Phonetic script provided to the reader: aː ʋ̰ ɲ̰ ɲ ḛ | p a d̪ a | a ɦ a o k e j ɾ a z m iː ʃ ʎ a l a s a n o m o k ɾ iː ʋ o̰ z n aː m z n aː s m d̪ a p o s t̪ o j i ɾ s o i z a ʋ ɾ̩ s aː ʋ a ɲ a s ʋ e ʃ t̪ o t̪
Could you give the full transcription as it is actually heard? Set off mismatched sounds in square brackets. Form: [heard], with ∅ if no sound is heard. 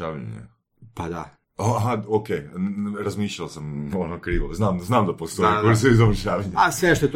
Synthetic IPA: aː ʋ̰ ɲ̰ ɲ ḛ | p a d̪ a | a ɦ a o k e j ɾ a z m iː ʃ ʎ a l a s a [m] o [n] o k ɾ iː ʋ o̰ z n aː m z n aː [∅] m d̪ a p o s t̪ o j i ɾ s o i z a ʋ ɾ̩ [ʃ] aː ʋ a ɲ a s ʋ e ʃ t̪ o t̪